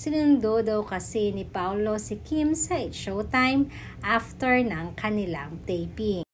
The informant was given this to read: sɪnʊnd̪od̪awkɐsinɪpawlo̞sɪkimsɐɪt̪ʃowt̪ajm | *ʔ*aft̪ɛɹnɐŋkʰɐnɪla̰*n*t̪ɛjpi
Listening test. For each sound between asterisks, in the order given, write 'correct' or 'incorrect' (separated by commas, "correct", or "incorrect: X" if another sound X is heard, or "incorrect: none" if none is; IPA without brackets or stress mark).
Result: correct, incorrect: ŋ